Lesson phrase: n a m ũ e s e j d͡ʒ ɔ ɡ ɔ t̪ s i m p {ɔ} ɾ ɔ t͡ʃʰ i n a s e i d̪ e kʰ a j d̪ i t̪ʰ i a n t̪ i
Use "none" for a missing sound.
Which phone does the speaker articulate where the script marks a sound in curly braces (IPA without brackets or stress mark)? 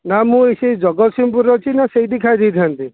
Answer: u